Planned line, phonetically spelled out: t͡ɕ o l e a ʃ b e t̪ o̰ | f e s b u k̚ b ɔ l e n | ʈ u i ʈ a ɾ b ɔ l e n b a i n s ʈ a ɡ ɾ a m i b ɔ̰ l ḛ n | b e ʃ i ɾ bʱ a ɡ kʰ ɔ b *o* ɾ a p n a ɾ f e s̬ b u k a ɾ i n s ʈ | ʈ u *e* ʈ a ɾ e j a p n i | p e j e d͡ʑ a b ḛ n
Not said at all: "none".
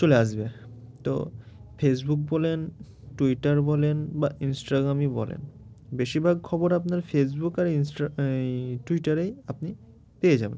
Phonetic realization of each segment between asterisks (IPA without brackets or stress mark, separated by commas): o, i